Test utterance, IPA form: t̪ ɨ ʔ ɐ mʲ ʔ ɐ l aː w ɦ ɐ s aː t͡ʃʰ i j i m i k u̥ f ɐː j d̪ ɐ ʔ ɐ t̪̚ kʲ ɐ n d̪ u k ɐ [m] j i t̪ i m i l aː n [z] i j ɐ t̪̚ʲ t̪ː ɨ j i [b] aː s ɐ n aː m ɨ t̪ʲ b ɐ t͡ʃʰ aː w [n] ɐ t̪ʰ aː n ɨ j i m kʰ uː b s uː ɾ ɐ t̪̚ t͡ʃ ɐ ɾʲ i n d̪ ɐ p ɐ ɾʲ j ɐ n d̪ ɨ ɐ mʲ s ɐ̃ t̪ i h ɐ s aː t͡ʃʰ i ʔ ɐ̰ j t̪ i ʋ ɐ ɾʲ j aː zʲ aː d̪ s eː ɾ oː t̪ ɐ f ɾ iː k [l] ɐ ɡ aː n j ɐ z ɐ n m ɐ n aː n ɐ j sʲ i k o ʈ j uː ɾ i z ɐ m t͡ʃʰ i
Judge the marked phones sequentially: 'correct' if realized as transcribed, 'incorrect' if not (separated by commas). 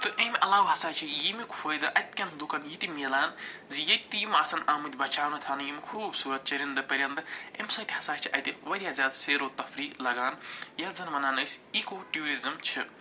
incorrect, correct, incorrect, correct, correct